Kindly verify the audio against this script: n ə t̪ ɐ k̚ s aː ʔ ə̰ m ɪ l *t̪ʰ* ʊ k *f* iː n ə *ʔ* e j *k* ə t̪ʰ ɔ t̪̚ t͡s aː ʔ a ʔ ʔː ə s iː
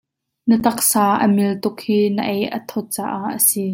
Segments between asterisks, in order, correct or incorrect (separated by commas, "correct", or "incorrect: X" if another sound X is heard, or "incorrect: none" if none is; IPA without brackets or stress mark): incorrect: t̪, incorrect: h, correct, incorrect: ʔ